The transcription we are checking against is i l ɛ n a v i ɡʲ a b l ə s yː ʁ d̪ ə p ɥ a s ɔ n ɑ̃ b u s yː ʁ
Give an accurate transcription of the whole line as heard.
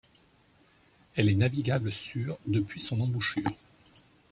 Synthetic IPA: ɛ l ɛ n a v i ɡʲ a b l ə s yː ʁ d̪ ə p ɥ i s ɔ̃ n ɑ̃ b u ʃ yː ʁ

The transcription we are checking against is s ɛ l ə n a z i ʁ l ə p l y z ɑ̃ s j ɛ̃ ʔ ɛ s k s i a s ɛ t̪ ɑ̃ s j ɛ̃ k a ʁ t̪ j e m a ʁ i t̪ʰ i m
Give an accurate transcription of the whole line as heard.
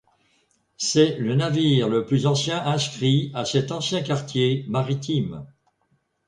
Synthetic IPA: s ɛ l ə n a v i ʁ l ə p l y z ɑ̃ s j ɛ̃ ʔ ɛ̃ s k χ i a s ɛ t̪ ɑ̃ s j ɛ̃ k a ʁ t̪ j e m a ʁ i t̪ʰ i m

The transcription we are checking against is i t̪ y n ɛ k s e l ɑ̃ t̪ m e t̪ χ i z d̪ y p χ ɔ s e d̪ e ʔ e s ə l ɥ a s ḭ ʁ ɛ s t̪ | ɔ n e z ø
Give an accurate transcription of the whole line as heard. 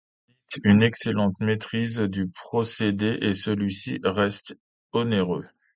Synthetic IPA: i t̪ y n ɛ k s e l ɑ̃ t̪ m e t̪ χ i z d̪ y p χ ɔ s e d̪ e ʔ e s ə l ɥ i s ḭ ʁ ɛ s t̪ | ɔ n e ʁ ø

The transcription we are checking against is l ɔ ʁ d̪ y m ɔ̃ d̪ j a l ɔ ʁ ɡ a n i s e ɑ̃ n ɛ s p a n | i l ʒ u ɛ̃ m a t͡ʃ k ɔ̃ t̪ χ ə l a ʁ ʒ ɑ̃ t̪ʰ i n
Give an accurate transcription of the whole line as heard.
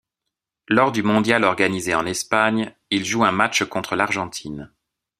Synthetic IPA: l ɔ ʁ d̪ y m ɔ̃ d̪ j a l ɔ ʁ ɡ a n i z e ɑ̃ n ɛ s p a ɲ | i l ʒ u ɛ̃ m a t͡ʃ k ɔ̃ t̪ χ ə l a ʁ ʒ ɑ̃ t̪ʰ i n

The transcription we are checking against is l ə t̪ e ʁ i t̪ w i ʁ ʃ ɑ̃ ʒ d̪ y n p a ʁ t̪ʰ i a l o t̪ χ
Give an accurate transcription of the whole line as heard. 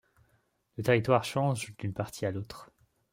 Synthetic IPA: l ə t̪ e ʁ i t̪ w a ʁ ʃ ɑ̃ ʒ d̪ y n p a ʁ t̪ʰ i a l o t̪ χ

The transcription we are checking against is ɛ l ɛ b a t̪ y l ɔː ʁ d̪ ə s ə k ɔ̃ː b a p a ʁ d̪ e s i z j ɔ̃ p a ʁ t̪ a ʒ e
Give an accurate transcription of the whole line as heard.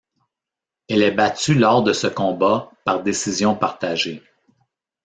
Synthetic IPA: ɛ l ɛ b a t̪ y l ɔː ʁ d̪ ə s ə k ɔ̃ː b a p a ʁ d̪ e s i z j ɔ̃ p a ʁ t̪ a ʒ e

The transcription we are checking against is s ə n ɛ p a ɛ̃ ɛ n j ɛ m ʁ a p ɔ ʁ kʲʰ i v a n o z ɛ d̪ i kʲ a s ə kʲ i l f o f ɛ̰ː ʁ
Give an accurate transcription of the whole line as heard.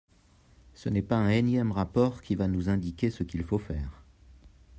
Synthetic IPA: s ə n ɛ p a ɛ̃ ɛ n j ɛ m ʁ a p ɔ ʁ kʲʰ i v a n u z ɛ̃ d̪ i kʲ e s ə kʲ i l f o f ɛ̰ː ʁ

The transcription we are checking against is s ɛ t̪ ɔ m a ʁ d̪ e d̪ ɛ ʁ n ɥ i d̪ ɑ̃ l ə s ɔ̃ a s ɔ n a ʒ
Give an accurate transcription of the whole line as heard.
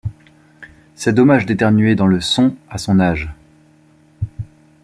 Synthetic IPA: s ɛ d̪ ɔ m a ʒ d̪ e t̪ ɛ ʁ n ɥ e d̪ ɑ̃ l ə s ɔ̃ a s ɔ̃ n a ʒ

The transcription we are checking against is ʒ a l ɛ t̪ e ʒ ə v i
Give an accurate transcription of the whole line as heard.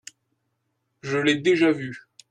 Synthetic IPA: ʒ ə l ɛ d̪ e ʒ a v y

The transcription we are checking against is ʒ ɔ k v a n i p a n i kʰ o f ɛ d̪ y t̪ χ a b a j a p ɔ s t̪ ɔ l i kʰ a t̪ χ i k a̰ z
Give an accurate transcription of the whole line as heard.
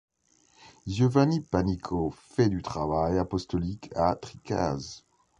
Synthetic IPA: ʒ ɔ v a n i p a n i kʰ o f ɛ d̪ y t̪ χ a v a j a p ɔ s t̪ ɔ l i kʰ a t̪ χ i k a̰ z

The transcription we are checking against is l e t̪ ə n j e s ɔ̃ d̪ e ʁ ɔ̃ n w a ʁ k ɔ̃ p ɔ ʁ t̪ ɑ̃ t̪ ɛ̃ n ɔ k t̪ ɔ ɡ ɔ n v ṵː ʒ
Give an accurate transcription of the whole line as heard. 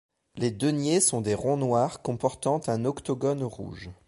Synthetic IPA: l e d̪ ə n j e s ɔ̃ d̪ e ʁ ɔ̃ n w a ʁ k ɔ̃ p ɔ ʁ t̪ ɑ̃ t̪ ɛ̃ n ɔ k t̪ ɔ ɡ ɔ n ʁ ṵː ʒ

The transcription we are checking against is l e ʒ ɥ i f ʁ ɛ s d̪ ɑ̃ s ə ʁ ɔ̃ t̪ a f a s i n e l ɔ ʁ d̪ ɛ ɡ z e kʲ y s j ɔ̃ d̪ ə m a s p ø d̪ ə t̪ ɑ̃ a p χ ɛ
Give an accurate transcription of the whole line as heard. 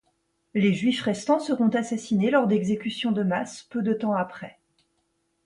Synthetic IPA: l e ʒ ɥ i f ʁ ɛ s t̪ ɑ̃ s ə ʁ ɔ̃ t̪ a s a s i n e l ɔ ʁ d̪ ɛ ɡ z e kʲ y s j ɔ̃ d̪ ə m a s p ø d̪ ə t̪ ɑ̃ a p χ ɛ

